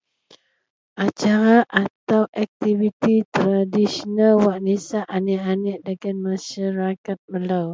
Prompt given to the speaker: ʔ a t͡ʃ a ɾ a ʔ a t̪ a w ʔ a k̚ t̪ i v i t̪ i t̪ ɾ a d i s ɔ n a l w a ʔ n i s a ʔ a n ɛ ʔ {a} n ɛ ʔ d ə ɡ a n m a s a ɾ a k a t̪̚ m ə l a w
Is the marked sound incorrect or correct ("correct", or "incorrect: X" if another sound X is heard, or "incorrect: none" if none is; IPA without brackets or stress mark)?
correct